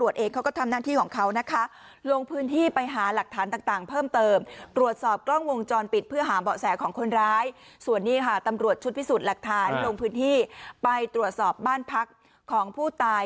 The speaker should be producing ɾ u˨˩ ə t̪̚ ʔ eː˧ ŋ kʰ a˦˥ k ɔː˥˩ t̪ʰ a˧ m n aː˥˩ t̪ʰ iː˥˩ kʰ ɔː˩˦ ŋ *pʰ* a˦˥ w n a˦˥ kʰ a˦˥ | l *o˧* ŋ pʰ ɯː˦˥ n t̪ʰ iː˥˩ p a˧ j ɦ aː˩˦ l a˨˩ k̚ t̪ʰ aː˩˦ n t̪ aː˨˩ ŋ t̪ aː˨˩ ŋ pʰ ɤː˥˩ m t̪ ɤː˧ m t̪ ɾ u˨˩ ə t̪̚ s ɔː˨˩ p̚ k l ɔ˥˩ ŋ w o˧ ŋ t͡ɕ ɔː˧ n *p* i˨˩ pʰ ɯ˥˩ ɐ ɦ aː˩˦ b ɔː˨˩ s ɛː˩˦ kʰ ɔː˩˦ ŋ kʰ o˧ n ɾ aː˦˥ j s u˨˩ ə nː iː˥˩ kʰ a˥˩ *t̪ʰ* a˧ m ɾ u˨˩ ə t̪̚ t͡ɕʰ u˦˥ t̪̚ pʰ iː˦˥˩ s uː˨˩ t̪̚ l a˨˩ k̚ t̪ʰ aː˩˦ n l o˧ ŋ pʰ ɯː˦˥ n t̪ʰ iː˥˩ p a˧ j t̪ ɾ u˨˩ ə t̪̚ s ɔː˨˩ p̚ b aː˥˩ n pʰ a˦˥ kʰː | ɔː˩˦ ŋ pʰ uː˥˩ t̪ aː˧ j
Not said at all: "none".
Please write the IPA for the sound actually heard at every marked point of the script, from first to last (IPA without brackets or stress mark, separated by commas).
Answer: kʰ, o˧, p, t̪